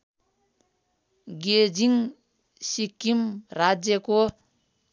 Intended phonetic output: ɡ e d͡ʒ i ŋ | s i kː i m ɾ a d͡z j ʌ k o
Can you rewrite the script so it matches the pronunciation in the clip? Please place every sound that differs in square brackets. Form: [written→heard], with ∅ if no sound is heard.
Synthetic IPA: ɡ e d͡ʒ i ŋ | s i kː i m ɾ a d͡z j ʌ k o